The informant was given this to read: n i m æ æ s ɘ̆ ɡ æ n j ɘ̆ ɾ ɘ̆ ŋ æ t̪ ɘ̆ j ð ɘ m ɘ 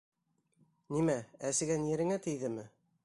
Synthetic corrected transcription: n i m æ æ s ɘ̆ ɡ æ n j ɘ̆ ɾ ɘ̆ ŋ æ t̪ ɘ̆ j ð ɘ m ɘ

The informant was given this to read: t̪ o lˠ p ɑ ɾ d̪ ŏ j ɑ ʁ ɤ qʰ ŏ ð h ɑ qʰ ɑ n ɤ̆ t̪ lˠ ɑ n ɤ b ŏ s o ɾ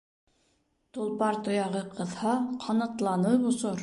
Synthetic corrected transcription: t̪ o lˠ p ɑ ɾ t̪ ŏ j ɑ ʁ ɤ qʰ ɤ̆ ð h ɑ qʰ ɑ n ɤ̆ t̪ lˠ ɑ n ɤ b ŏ s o ɾ

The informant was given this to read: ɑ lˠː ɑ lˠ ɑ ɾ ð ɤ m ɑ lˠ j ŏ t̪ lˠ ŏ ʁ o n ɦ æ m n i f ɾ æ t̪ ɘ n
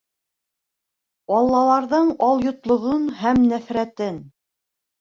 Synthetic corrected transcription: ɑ lˠː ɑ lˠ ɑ ɾ ð ɤ ɴ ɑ lˠ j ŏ t̪ lˠ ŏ ʁ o n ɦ æ m n æ f ɾ æ t̪ ɘ n

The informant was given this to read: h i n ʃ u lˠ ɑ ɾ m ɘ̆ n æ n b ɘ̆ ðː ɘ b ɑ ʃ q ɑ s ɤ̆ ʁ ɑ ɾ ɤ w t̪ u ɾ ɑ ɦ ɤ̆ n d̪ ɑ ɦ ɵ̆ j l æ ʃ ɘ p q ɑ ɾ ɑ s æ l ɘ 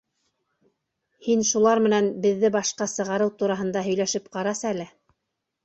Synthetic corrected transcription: h i n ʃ u lˠ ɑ ɾ m ɘ̆ n æ n b ɘ̆ ðː ɘ b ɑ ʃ q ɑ s ɤ̆ ʁ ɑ ɾ ɤ w t̪ u ɾ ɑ ɦ ɤ̆ n d̪ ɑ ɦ ɵ̆ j l æ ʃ ɘ p q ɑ ɾ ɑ s æ l ɘ

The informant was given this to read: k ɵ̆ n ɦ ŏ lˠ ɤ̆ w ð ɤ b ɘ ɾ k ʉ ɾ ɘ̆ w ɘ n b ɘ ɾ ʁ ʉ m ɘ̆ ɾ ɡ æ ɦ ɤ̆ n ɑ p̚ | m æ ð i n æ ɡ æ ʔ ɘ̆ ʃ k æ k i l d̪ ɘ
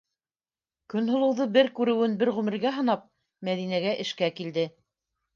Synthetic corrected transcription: k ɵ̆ n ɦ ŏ lˠ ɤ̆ w ð ɤ b ɘ ɾ k ʉ ɾ ɘ̆ w ɘ n b ɘ ɾ ʁ ʉ m ɘ̆ ɾ ɡ æ ɦ ɤ̆ n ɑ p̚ | m æ ð i n æ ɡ æ ʔ ɘ̆ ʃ k æ k i l d̪ ɘ

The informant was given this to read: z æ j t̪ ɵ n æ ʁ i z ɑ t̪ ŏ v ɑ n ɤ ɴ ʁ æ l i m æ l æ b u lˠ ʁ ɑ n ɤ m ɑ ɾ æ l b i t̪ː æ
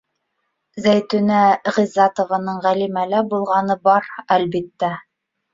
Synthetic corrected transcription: z æ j t̪ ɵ n æ ʁ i z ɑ t̪ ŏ v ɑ n ɤ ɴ ʁ æ l i m æ l æ b u lˠ ʁ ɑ n ɤ b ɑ ɾ æ l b i t̪ː æ

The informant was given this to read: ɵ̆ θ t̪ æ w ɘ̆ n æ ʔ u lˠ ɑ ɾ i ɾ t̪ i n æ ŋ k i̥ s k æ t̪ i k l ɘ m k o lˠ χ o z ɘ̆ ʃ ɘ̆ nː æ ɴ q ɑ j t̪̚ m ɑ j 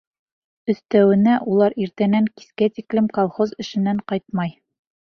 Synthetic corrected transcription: ɵ̆ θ t̪ æ w ɘ̆ n æ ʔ u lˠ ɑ ɾ i ɾ t̪ æ n æ ŋ k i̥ s k æ t̪ i k l ɘ m k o lˠ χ o z ɘ̆ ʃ ɘ̆ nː æ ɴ q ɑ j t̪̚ m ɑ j

